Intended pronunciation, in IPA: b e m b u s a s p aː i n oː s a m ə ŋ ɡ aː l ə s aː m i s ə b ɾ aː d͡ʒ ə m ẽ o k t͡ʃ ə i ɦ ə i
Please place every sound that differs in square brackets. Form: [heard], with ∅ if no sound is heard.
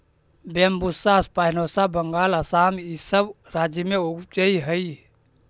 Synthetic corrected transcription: b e m b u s a s p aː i n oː s a [b] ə ŋ ɡ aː l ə s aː m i s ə b ɾ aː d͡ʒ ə m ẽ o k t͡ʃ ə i ɦ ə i